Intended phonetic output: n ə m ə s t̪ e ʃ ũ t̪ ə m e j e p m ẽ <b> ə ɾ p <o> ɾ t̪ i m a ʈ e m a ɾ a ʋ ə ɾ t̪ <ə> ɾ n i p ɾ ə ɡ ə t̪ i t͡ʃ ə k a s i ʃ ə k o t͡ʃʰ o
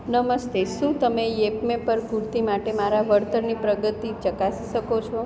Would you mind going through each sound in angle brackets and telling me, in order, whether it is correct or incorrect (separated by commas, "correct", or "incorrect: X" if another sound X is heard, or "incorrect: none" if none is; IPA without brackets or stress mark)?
incorrect: p, incorrect: u, correct